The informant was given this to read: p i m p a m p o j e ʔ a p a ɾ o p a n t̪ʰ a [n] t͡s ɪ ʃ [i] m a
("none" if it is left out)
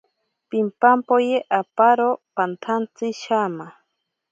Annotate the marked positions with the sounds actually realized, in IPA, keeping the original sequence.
n, a

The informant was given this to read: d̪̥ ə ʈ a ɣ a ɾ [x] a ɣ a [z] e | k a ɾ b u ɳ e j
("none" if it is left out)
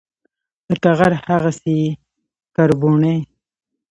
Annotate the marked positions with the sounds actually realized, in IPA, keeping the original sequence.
h, s

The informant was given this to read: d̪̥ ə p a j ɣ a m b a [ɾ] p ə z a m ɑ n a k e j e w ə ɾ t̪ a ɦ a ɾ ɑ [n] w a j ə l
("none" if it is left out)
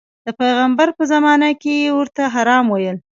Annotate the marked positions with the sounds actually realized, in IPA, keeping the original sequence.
ɾ, m

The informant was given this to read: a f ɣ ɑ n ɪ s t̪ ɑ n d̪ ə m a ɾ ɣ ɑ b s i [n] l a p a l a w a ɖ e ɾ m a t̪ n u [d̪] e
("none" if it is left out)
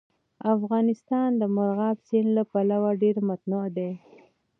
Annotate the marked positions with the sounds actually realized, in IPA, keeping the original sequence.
n, d̪

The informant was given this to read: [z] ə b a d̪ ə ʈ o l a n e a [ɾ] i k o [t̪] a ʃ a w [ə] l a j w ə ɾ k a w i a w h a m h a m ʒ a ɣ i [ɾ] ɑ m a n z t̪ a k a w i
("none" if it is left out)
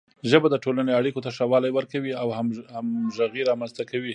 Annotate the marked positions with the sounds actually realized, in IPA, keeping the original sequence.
ʒ, ɽ, t̪, ɑ, ɾ

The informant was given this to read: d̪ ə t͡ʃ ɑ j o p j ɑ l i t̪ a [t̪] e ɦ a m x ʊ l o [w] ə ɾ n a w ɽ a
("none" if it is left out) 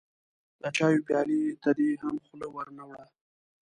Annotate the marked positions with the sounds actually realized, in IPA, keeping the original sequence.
d̪, w

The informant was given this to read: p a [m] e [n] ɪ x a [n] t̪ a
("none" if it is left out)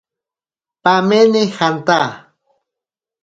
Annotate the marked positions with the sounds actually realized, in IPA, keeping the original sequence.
m, n, n

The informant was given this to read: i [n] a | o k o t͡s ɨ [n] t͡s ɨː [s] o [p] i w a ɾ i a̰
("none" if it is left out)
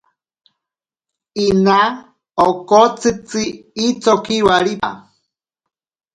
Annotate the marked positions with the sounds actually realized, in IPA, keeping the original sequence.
n, none, t͡s, k

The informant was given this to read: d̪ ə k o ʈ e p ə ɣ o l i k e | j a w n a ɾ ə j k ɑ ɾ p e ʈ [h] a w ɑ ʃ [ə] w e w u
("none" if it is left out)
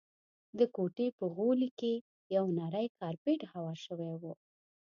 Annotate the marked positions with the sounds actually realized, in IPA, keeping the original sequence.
h, ə

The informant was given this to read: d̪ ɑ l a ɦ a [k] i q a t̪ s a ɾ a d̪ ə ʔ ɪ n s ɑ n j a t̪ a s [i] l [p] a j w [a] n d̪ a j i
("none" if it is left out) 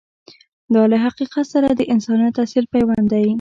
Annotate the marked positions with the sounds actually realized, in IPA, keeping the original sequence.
q, i, p, a

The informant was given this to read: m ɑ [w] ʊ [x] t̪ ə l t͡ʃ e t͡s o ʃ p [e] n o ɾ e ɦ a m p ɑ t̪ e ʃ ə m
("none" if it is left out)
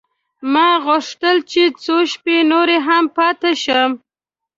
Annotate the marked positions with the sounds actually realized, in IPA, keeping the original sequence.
ɣ, ʂ, e

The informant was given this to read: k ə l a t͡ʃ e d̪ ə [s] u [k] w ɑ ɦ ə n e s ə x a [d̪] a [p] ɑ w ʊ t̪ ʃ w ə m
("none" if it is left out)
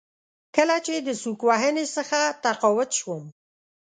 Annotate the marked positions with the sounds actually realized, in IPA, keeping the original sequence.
s, k, t̪, q

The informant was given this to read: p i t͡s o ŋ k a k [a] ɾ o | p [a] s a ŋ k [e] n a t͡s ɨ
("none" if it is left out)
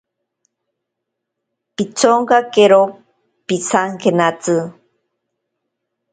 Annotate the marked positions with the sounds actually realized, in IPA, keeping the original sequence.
e, i, e

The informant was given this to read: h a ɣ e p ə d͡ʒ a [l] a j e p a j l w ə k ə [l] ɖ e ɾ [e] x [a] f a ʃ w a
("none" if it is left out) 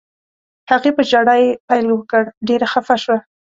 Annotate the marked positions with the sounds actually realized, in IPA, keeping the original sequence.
ɽ, ɽ, a, a

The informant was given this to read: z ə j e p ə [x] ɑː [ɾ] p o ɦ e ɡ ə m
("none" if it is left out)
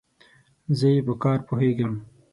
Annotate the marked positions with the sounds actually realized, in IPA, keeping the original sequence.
k, ɾ

